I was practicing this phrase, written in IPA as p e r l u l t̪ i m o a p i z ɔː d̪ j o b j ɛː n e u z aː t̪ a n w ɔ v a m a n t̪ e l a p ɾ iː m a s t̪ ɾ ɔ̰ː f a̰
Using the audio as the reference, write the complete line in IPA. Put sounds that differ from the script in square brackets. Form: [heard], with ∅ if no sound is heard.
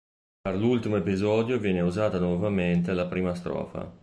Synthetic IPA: p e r l u l t̪ i m o [e] p i z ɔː d̪ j o [v] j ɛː n e u z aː t̪ a n w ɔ v a m [e] n t̪ e l a p ɾ iː m a s t̪ ɾ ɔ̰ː f a̰